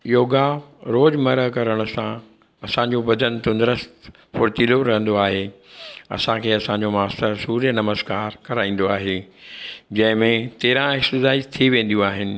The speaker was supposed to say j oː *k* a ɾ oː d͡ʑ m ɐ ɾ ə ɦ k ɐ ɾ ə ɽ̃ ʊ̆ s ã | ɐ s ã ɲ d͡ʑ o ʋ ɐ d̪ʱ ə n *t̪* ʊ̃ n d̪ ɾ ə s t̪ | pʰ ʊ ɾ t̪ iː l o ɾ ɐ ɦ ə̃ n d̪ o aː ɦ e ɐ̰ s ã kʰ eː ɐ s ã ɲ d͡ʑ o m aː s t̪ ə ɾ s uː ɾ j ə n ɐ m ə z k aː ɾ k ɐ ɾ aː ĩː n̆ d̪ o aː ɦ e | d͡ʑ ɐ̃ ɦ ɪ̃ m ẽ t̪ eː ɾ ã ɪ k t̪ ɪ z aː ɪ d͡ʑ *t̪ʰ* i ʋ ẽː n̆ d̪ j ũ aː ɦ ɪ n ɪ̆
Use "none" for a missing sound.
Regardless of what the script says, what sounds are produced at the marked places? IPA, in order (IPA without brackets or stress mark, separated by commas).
ɡ, t̪, t̪ʰ